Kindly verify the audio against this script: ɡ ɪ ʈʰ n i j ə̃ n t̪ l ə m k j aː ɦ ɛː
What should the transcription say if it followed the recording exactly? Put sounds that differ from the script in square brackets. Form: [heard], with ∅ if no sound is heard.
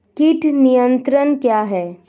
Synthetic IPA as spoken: [k] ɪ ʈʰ n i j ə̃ n t̪ [ɾ] ə [n] k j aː ɦ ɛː